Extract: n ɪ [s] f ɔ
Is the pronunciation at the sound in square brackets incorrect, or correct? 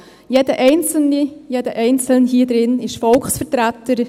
incorrect